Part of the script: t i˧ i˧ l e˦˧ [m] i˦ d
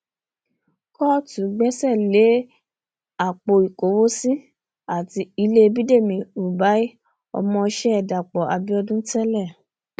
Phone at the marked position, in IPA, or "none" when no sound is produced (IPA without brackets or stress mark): b